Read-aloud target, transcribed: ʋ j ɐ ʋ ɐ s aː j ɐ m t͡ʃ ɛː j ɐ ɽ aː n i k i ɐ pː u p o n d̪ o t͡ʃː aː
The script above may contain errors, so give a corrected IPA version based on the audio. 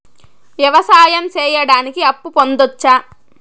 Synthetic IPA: ʋ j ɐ ʋ ɐ s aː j ɐ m t͡ʃ ɛː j ɐ ɽ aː n i k i ɐ pː u p o n d̪ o t͡ʃː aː